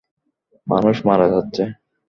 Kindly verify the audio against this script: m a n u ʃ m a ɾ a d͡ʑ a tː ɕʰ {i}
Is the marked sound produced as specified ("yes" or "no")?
no